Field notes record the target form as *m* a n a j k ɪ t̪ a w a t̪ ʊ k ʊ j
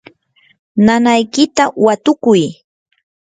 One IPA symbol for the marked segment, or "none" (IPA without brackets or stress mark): n